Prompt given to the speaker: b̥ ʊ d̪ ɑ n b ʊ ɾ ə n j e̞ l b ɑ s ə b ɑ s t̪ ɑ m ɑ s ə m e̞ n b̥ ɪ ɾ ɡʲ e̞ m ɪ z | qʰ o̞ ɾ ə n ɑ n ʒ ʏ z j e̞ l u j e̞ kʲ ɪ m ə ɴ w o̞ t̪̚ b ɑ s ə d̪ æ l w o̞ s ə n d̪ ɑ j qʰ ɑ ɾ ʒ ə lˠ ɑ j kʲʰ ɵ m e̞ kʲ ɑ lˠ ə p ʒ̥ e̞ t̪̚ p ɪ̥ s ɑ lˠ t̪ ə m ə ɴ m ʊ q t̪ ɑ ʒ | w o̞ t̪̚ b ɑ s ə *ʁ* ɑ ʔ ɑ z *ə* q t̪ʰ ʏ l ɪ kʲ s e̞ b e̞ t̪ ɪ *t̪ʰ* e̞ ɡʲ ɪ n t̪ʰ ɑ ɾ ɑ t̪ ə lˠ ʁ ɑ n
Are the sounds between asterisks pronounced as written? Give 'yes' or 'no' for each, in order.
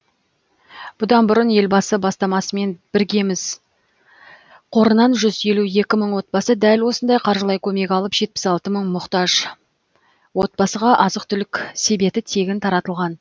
yes, yes, yes

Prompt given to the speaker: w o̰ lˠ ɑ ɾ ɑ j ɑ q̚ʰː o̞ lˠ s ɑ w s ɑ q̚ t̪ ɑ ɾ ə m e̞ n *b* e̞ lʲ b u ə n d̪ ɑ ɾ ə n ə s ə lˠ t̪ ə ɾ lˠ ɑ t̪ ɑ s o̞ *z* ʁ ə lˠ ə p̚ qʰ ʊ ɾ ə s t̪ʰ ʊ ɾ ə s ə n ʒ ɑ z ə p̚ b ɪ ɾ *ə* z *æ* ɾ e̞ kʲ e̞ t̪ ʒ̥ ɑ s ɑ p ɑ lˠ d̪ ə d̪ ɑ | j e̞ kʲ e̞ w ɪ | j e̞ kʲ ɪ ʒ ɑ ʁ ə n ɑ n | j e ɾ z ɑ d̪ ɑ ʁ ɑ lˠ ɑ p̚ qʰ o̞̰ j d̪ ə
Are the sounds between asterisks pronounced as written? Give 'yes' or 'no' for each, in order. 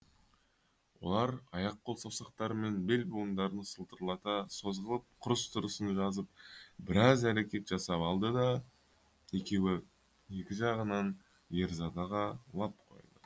yes, yes, no, yes

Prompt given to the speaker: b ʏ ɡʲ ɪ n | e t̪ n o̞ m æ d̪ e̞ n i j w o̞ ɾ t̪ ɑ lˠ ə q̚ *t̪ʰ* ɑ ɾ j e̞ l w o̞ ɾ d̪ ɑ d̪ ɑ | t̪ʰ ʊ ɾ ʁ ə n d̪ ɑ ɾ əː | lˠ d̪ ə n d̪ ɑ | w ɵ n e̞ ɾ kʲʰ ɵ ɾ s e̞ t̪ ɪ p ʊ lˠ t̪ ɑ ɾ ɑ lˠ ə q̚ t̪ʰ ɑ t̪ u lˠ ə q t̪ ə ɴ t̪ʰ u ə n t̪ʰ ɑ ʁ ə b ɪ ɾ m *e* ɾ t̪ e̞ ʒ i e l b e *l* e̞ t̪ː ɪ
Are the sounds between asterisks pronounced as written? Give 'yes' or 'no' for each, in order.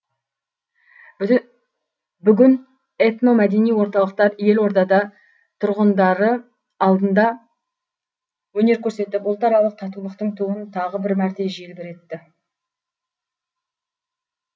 no, no, no

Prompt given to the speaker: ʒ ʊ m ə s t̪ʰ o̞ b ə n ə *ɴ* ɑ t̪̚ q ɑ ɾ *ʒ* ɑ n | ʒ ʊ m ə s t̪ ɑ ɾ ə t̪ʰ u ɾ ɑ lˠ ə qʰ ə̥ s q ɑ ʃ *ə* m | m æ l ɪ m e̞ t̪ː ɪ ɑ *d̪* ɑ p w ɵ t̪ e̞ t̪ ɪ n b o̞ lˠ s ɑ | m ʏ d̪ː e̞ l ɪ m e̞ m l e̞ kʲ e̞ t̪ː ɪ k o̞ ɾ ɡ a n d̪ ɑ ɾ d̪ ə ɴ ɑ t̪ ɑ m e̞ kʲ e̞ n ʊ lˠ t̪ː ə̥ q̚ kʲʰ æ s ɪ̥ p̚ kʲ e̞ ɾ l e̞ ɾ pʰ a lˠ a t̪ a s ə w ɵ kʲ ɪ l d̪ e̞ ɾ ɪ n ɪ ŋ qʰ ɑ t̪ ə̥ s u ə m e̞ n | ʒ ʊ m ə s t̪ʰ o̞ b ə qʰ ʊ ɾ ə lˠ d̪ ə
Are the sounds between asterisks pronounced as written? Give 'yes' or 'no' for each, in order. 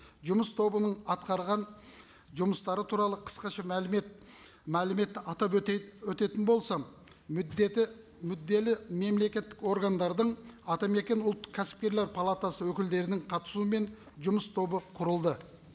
yes, no, no, no

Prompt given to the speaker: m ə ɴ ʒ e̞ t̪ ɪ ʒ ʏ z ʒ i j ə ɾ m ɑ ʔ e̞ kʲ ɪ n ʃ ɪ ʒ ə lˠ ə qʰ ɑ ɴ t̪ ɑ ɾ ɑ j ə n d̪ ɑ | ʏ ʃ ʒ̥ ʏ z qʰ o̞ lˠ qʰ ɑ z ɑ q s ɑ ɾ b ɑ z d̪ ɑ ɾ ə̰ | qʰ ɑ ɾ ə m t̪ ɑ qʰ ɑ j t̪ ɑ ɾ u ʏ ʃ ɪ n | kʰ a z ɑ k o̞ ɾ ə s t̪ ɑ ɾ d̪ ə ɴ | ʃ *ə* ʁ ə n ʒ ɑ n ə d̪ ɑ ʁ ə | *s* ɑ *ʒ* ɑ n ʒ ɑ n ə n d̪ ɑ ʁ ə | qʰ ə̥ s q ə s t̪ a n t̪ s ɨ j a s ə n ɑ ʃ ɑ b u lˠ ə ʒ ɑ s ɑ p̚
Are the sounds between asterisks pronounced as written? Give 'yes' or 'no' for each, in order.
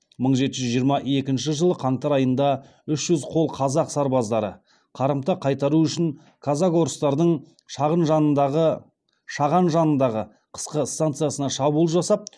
no, no, no

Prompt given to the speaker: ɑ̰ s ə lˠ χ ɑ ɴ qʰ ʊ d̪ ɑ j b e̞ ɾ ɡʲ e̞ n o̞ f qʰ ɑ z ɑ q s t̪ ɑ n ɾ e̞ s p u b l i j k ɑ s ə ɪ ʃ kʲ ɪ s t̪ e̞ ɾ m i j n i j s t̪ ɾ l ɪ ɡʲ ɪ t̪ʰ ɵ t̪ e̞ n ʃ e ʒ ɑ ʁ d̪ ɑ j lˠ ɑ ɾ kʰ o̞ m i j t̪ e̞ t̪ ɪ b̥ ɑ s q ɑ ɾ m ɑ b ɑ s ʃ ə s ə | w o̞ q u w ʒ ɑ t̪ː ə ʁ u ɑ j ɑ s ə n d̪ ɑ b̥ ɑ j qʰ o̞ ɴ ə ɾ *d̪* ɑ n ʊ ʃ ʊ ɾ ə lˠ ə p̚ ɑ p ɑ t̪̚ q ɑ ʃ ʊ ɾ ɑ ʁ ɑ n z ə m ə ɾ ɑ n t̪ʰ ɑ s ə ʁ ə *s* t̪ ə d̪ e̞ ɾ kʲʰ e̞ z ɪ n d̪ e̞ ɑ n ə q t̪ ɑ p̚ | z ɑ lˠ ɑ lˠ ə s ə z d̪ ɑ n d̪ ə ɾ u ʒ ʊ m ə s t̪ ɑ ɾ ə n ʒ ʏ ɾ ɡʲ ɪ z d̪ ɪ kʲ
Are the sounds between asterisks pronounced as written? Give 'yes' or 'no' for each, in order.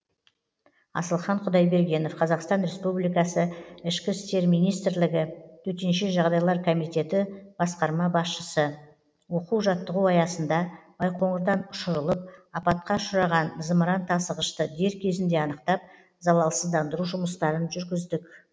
yes, no

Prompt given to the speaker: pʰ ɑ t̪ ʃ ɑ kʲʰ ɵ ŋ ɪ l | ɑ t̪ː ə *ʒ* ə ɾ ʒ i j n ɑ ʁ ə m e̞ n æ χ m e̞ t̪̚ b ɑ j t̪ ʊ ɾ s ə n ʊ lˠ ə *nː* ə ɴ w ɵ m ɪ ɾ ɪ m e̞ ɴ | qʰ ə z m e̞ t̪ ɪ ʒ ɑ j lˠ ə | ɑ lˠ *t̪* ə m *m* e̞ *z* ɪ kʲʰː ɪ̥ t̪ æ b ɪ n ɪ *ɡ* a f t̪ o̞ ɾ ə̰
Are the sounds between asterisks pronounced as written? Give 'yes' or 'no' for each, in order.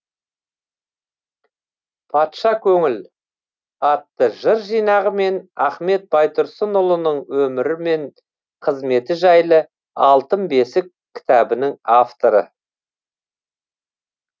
yes, no, yes, no, no, no

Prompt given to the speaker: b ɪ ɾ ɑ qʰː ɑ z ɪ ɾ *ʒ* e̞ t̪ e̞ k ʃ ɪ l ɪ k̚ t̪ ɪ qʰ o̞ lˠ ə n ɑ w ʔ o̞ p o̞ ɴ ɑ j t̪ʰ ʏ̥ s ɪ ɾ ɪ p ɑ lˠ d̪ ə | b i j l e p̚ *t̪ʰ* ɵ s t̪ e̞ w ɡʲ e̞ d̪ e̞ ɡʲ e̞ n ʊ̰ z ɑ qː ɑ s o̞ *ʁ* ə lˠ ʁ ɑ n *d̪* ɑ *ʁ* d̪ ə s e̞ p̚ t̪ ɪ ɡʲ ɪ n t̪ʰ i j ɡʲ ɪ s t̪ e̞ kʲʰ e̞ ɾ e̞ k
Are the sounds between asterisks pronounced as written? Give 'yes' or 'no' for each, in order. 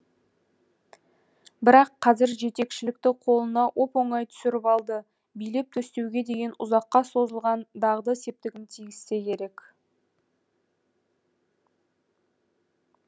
yes, yes, no, yes, yes

